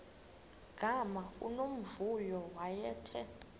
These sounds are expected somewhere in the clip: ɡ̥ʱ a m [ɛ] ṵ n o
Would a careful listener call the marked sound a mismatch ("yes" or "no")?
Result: yes